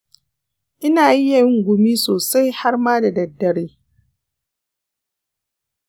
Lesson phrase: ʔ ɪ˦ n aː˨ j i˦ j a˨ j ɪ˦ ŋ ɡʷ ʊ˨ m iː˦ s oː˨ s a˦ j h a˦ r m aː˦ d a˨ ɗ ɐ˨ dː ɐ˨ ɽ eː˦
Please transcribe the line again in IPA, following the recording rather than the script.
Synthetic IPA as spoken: ʔ ɪ˦ n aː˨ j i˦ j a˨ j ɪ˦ ŋ ɡʷ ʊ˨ m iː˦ s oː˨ s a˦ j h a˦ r m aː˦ d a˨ d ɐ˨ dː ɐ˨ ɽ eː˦

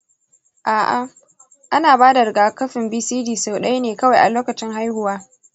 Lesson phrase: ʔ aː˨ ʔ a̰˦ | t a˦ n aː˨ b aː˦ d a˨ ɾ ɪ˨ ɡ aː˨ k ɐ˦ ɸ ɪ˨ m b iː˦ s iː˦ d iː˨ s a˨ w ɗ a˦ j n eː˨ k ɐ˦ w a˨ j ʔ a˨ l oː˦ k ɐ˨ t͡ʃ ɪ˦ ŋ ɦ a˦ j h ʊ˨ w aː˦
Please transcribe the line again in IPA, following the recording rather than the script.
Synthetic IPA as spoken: ʔ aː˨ ʔ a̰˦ | ʔ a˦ n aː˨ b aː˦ d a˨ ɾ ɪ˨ ɡ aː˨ k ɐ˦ ɸ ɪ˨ m b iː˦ s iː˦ d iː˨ s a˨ w ɗ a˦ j n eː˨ k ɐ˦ w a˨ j ʔ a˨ l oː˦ k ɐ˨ t͡ʃ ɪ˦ ŋ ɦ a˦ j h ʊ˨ w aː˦

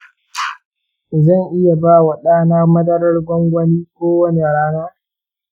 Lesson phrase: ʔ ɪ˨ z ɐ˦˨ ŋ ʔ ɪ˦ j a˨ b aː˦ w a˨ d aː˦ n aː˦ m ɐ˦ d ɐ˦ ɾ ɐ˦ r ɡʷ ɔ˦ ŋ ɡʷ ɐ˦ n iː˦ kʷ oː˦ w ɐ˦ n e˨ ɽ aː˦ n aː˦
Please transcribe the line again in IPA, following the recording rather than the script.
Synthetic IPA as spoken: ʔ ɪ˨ z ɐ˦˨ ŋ ʔ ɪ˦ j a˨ b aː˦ w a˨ ɗ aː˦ n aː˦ m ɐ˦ d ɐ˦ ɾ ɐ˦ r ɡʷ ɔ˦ ŋ ɡʷ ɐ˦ n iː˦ kʷ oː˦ w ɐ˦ n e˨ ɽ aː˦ n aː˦

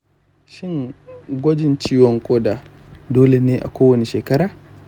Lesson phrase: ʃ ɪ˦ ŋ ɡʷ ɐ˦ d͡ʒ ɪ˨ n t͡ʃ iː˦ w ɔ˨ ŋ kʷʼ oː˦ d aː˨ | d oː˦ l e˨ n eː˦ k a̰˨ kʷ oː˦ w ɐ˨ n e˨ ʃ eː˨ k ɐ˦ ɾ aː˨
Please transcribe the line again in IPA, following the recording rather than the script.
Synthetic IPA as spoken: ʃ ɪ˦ ŋ ɡʷ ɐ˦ d͡ʒ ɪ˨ n t͡ʃ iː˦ w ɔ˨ ŋ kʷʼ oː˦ d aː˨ | d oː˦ l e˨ n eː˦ ʔ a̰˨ kʷ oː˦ w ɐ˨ n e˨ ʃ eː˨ k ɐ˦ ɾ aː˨

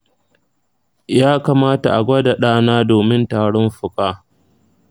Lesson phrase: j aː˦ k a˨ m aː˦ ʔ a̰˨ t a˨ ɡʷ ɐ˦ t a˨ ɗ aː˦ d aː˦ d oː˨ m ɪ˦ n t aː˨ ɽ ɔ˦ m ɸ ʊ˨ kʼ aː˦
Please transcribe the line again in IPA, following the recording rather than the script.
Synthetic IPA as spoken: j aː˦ k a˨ m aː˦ t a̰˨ ʔ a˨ ɡʷ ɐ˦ d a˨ ɗ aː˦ n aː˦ d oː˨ m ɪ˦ n t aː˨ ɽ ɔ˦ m ɸ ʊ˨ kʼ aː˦

